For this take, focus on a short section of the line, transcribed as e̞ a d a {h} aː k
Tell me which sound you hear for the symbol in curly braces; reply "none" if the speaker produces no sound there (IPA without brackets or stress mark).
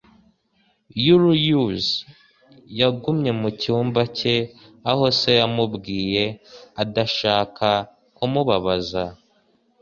ʃ